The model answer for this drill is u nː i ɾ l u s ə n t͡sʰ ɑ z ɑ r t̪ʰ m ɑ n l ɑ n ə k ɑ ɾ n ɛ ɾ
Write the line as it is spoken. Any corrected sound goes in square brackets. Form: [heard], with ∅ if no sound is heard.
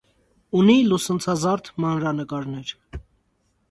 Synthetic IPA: u [n] i [∅] l u s ə n t͡sʰ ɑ z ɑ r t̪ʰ m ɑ n [ɾ] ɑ n ə k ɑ ɾ n ɛ ɾ